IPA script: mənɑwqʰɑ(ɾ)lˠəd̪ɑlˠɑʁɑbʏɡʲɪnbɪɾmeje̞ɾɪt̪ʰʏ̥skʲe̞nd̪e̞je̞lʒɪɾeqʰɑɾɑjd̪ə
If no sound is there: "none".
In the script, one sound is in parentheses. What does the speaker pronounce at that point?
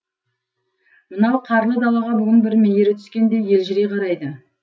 ɾ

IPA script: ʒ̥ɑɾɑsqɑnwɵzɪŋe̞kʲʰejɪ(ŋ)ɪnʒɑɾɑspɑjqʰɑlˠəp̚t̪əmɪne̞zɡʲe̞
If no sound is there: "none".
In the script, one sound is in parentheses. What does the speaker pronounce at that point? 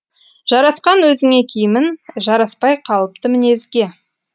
m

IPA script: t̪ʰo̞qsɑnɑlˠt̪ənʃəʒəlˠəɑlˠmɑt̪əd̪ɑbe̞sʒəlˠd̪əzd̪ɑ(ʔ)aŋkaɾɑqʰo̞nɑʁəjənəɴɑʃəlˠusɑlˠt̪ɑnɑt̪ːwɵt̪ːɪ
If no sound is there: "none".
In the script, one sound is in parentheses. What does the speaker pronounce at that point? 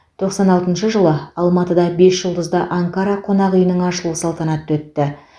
ʔ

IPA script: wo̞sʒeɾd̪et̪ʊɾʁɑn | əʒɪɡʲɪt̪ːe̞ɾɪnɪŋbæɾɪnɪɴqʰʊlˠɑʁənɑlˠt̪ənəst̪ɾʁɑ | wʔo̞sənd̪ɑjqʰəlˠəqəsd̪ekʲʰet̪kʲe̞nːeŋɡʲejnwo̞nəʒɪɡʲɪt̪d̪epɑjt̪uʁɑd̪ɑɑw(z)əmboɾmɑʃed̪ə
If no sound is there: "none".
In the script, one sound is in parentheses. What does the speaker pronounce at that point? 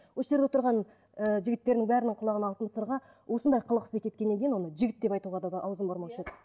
z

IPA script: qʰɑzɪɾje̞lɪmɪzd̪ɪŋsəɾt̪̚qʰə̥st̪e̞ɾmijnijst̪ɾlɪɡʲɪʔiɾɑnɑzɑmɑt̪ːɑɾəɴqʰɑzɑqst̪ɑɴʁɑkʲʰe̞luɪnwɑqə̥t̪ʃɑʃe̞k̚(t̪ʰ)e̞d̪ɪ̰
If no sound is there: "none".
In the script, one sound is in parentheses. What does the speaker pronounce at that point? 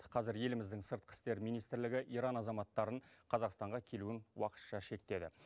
t̪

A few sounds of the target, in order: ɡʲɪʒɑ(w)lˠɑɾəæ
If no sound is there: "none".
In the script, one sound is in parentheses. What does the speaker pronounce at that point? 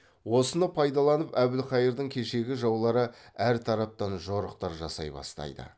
w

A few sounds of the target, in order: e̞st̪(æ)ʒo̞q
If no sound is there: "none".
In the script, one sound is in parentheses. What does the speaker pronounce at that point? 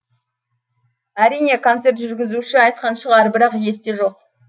e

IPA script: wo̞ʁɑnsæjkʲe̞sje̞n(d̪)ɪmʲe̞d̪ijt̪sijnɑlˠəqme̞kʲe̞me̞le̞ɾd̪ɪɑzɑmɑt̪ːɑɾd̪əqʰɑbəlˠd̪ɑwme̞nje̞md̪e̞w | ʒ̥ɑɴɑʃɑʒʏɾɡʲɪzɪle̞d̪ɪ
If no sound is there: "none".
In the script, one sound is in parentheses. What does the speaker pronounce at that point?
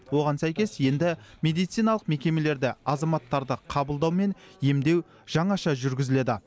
d̪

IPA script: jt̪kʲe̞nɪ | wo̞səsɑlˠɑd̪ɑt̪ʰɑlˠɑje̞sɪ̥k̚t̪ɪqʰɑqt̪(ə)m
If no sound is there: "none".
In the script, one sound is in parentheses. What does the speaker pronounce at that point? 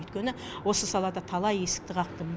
ə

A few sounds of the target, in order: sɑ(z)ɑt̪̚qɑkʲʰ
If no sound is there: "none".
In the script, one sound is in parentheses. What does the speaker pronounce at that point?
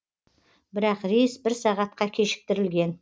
ʁ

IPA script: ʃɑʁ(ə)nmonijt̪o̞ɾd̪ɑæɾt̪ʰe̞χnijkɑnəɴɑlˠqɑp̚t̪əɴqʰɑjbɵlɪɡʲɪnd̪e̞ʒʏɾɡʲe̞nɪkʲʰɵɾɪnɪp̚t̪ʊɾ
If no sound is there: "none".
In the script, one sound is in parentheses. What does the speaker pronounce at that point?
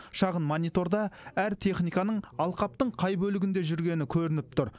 ə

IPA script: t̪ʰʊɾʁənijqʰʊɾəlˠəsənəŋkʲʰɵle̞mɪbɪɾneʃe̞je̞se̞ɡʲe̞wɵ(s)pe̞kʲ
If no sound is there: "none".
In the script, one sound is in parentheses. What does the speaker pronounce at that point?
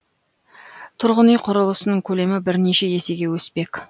s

